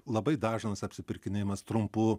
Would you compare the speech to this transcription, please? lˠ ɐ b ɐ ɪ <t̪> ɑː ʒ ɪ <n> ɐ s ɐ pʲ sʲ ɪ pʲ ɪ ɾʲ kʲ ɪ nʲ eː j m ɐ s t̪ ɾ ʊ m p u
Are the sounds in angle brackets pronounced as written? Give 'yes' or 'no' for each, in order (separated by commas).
no, yes